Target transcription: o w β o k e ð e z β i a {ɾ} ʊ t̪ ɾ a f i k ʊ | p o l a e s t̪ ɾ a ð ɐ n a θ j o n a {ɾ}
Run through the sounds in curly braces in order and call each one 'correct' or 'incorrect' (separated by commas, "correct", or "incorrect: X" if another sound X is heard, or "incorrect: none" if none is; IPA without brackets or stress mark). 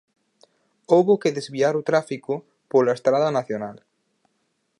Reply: correct, incorrect: l